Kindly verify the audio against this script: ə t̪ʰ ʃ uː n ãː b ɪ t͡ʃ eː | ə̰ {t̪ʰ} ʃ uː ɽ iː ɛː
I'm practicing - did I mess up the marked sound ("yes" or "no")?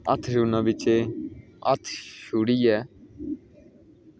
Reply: no